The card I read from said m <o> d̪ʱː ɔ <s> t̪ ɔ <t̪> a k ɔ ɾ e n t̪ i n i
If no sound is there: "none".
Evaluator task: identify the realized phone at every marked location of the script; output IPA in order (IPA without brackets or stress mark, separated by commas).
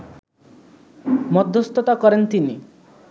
ɔ, s, t̪